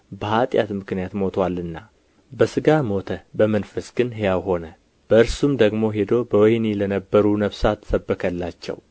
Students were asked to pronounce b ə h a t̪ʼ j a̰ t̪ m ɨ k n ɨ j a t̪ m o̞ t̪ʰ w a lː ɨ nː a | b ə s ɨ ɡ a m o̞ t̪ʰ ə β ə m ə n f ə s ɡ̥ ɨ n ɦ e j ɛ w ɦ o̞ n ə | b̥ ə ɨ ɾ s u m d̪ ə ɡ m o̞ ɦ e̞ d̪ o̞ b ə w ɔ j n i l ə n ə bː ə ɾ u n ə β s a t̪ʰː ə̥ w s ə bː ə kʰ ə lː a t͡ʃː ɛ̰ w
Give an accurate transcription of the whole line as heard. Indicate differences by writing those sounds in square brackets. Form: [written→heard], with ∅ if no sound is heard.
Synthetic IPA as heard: b ə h a t̪ʼ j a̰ t̪ m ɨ k n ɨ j a t̪ m o̞ t̪ʰ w a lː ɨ nː a | b ə s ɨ ɡ a m o̞ t̪ʰ ə [β→b] ə m ə n f ə s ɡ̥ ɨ n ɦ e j [ɛ→a] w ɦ o̞ n ə | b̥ ə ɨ ɾ s u m d̪ ə ɡ m o̞ ɦ e̞ d̪ o̞ b ə w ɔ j n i l ə n ə bː ə ɾ u n ə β s a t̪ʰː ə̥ [w→∅] s ə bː ə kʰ ə lː a t͡ʃː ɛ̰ w